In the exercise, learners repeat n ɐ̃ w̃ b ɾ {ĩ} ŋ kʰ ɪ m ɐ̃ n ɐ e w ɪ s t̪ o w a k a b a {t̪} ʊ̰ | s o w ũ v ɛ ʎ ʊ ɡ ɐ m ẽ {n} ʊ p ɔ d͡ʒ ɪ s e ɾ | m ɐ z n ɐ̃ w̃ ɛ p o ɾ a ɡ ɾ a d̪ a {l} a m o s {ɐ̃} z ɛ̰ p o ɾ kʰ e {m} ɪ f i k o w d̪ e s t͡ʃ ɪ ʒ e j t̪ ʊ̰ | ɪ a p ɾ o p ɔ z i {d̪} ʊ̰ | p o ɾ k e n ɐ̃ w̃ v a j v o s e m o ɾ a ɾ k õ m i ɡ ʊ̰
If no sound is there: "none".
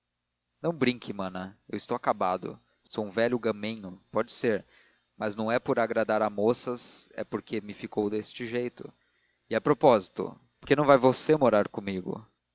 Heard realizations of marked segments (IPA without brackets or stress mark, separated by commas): ĩ, d̪, ɲ, ɾ, ɐ, m, t̪